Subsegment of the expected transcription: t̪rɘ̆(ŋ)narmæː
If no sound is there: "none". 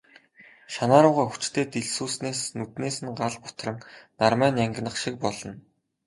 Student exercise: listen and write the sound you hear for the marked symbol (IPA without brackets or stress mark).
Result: ŋ